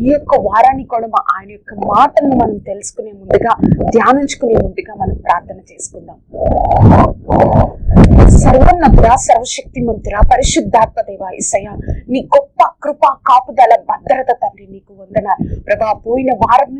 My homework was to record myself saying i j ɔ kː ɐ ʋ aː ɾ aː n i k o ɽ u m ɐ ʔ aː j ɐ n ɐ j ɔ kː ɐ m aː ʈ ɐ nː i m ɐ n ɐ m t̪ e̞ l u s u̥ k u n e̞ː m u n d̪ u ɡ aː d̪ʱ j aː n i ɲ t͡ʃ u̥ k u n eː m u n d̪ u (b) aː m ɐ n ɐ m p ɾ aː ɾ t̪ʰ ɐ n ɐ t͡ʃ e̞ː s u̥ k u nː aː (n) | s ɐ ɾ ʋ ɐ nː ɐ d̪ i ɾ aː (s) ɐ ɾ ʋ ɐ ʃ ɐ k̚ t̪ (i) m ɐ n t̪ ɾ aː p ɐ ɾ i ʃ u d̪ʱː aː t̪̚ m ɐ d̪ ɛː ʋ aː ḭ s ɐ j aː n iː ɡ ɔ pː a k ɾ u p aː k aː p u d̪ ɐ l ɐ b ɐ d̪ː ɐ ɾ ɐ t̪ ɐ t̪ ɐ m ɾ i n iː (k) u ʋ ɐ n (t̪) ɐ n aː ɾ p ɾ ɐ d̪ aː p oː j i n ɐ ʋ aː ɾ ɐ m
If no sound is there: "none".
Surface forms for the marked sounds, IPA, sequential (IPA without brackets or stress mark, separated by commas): ɡ, m, s, i, k, d̪